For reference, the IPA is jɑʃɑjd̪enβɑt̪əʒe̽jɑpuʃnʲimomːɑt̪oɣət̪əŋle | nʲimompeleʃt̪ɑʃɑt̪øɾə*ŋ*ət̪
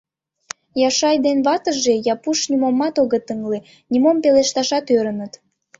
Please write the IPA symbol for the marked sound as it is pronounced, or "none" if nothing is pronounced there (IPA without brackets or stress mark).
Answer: n